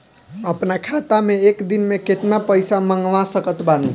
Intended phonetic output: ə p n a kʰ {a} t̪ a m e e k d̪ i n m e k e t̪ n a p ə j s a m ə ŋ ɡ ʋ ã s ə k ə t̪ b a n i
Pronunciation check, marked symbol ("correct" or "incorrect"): correct